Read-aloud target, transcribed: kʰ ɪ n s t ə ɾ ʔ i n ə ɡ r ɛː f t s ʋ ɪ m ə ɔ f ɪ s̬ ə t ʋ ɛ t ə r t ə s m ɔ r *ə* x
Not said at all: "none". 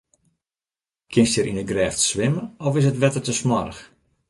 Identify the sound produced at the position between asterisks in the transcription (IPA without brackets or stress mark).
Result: ə